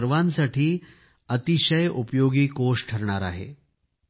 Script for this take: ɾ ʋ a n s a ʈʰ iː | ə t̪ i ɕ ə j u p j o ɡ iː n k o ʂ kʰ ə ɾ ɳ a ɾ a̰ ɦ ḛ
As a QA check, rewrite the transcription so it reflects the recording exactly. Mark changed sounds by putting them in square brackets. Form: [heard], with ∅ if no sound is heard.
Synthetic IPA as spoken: ɾ ʋ a n s a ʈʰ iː | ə t̪ i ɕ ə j u p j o ɡ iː [∅] k o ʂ [ʈʰ] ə ɾ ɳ a ɾ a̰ ɦ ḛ